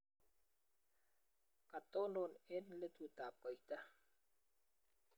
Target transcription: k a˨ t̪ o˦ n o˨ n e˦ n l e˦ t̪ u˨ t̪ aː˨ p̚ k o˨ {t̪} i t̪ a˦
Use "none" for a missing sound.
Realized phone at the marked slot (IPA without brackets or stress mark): none